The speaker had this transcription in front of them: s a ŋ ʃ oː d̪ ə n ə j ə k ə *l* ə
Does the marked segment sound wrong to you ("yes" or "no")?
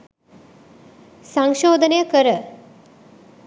yes